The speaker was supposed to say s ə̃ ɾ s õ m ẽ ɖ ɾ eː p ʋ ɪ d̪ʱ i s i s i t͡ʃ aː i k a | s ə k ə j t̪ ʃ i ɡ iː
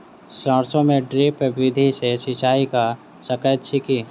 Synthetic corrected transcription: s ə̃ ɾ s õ m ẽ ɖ ɾ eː p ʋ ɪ d̪ʱ i s e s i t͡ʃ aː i k a | s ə k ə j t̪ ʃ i k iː